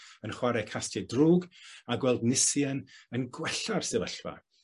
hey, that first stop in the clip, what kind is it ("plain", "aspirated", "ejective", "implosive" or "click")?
aspirated